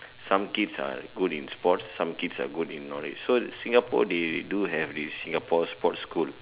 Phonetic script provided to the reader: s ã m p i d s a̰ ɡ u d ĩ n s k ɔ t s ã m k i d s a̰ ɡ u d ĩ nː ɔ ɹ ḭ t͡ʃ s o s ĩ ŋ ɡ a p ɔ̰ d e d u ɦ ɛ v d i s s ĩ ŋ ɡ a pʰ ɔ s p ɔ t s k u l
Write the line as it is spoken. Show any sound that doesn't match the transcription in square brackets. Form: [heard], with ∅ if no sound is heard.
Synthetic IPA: s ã m [k] i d s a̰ ɡ u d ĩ n s [p] ɔ t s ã m k i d s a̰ ɡ u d ĩ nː ɔ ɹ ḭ t͡ʃ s o s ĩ ŋ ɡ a p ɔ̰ d e d u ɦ ɛ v d i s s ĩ ŋ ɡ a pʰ ɔ s p ɔ t s k u l